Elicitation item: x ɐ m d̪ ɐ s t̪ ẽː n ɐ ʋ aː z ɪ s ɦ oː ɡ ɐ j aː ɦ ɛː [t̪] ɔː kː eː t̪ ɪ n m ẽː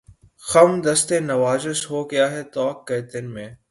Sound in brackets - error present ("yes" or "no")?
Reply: no